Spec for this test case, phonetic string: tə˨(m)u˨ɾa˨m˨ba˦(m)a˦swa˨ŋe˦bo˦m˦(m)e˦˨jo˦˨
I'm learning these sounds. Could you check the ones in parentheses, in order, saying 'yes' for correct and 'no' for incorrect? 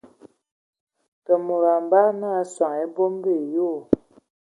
yes, no, no

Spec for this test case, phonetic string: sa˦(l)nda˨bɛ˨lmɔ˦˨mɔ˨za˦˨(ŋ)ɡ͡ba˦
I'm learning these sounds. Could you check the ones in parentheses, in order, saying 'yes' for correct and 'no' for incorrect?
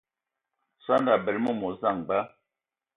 no, yes

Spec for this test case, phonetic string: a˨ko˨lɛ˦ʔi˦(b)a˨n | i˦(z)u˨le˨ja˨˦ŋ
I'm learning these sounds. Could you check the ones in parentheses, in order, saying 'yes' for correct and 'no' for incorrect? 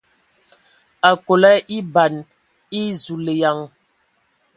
yes, yes

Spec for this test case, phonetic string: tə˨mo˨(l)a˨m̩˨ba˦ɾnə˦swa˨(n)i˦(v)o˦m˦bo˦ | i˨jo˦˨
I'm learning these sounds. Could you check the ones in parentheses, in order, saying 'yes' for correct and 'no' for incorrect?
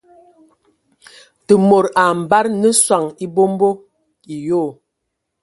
no, no, no

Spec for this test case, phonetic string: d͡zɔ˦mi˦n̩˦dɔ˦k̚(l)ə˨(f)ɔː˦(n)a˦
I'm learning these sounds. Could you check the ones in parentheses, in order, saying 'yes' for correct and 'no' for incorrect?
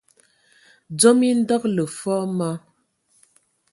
yes, yes, no

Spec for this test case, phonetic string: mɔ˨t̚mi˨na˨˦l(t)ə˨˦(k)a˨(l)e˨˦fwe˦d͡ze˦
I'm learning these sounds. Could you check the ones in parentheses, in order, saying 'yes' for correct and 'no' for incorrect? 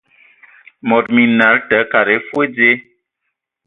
yes, yes, no

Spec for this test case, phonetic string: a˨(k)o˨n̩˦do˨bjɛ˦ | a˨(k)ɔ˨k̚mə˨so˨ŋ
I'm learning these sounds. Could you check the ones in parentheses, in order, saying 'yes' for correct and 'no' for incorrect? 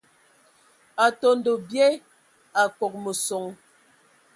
no, yes

